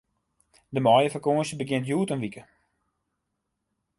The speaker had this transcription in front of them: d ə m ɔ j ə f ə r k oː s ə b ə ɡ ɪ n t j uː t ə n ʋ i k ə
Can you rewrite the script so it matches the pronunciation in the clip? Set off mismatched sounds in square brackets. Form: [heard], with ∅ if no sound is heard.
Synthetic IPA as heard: d ə m ɔ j ə f ə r k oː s ə b ə ɡ ɪ n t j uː t ə n ʋ i k ə